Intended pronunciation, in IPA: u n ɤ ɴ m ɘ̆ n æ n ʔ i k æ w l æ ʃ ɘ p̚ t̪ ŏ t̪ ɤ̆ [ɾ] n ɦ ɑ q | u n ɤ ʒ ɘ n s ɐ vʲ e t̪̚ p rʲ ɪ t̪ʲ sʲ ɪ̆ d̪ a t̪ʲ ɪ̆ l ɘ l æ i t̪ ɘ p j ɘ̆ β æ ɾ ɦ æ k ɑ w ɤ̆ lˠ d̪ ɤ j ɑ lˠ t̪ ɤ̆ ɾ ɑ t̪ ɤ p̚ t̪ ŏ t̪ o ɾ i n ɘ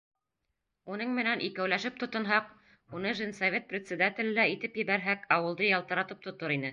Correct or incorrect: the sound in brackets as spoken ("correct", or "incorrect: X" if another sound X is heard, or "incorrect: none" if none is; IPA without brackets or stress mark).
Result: incorrect: none